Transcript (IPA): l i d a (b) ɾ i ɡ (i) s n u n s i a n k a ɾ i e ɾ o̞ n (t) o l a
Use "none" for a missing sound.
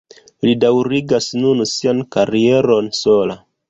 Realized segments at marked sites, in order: w, a, s

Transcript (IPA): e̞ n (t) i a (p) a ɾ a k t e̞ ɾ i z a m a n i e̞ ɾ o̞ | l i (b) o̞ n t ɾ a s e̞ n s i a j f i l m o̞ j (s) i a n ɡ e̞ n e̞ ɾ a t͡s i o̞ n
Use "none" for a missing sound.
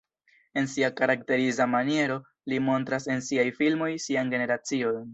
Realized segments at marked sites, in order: s, k, m, s

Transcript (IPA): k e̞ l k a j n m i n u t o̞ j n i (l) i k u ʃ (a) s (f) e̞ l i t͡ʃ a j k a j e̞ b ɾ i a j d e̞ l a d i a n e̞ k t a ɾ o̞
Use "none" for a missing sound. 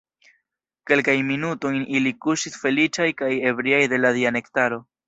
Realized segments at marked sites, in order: l, i, f

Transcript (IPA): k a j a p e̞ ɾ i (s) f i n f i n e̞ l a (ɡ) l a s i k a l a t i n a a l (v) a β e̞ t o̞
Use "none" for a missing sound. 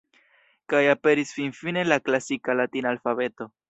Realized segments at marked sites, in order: s, k, f

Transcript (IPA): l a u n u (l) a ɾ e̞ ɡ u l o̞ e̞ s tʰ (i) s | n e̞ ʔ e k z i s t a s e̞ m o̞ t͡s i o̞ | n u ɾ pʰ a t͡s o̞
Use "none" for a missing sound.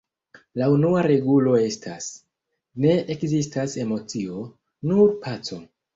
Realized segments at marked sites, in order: none, a

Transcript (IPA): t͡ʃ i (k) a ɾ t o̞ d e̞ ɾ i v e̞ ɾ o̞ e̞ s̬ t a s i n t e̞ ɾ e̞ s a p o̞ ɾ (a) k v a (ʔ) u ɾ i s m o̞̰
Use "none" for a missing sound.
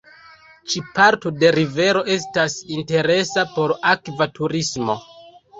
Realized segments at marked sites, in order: p, a, t

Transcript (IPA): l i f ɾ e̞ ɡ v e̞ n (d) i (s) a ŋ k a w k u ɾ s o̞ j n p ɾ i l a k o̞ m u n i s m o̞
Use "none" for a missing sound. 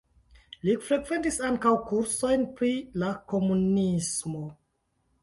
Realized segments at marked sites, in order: t, s

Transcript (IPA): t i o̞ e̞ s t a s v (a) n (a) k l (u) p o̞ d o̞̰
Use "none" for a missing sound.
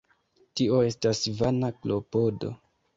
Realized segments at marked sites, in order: a, a, o

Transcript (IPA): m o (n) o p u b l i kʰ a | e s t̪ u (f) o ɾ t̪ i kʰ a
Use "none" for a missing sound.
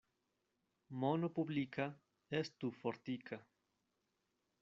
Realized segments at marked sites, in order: n, f

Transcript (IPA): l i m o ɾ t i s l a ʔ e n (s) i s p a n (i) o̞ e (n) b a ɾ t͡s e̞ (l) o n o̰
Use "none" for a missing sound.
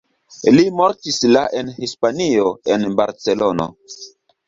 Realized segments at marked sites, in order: h, i, n, l

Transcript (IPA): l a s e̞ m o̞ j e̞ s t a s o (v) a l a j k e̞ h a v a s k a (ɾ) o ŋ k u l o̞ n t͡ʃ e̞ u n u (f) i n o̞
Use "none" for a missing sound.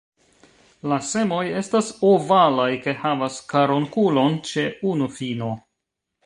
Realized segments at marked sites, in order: v, ɾ, f

